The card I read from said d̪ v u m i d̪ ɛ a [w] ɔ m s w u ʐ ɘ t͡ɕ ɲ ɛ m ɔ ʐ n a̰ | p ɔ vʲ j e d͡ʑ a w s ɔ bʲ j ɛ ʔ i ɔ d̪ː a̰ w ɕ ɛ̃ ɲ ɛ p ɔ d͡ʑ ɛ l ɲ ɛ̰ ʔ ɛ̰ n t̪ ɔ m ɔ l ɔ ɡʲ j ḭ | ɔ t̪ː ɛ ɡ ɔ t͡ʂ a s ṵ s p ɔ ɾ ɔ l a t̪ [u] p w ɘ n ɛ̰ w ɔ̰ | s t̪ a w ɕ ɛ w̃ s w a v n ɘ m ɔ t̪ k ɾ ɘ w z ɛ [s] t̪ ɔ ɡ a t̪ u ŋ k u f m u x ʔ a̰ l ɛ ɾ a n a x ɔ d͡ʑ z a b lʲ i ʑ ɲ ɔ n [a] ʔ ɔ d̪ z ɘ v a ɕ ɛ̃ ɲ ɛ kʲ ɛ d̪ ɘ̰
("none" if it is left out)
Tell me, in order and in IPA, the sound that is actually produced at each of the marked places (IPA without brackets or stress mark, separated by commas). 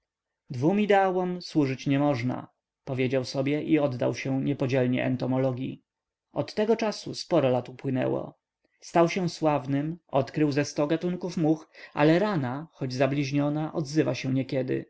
w, u, s, a